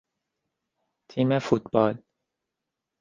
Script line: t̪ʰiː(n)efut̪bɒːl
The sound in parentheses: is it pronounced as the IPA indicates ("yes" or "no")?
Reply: no